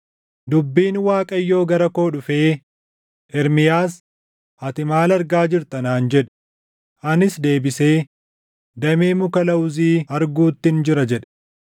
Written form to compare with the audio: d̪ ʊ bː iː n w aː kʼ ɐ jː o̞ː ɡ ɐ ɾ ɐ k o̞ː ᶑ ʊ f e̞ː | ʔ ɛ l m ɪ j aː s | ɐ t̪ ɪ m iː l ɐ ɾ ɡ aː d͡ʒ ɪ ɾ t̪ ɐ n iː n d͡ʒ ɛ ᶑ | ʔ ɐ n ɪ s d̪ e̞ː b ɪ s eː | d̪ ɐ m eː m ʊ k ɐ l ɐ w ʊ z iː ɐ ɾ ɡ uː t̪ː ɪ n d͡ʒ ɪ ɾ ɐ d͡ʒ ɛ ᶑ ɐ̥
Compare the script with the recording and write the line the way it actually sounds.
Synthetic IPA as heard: d̪ ʊ bː iː n w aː kʼ ɐ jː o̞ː ɡ ɐ ɾ ɐ k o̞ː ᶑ ʊ f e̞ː | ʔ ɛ ɾ m ɪ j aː s | ɐ t̪ ɪ m aː l ɐ ɾ ɡ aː d͡ʒ ɪ ɾ t̪ ɐ n aː n d͡ʒ ɛ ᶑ | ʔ ɐ n ɪ s d̪ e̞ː b ɪ s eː | d̪ ɐ m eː m ʊ k ɐ l ɐ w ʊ z iː ɐ ɾ ɡ uː t̪ː ɪ n d͡ʒ ɪ ɾ ɐ d͡ʒ ɛ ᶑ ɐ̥